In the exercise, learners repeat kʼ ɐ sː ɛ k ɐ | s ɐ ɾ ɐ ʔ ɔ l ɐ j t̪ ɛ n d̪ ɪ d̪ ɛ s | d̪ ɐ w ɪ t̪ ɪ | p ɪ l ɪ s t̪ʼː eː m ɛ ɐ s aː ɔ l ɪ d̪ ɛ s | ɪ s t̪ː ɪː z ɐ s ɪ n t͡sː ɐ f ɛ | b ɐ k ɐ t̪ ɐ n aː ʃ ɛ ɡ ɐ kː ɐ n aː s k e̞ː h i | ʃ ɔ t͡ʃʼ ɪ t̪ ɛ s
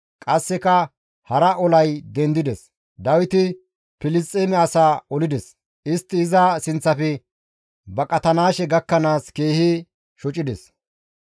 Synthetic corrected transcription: kʼ ɐ sː ɛ k ɐ | h ɐ ɾ ɐ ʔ ɔ l ɐ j d̪ ɛ n d̪ ɪ d̪ ɛ s | d̪ ɐ w ɪ t̪ ɪ | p ɪ l ɪ s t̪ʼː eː m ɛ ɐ s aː ɔ l ɪ d̪ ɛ s | ɪ s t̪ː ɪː z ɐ s ɪ n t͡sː ɐ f ɛ | b ɐ kʼ ɐ t̪ ɐ n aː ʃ ɛ ɡ ɐ kː ɐ n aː s k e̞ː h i | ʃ ɔ t͡ʃʼ ɪ d̪ ɛ s